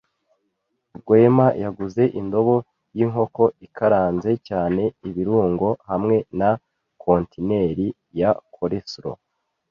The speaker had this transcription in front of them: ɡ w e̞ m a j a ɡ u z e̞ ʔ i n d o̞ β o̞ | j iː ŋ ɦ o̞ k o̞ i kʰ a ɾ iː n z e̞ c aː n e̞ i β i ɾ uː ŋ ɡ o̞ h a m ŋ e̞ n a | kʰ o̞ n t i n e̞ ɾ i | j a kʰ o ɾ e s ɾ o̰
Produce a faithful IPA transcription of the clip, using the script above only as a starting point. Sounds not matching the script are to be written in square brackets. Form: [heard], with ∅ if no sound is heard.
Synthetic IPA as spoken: ɡ w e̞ m a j a ɡ u z e̞ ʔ i n d o̞ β o̞ | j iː ŋ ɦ o̞ k o̞ i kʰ a ɾ [aː] n z e̞ c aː n e̞ i β i ɾ uː ŋ ɡ o̞ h a m ŋ e̞ n a | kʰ o̞ n t i n e̞ ɾ i | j a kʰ o ɾ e s ɾ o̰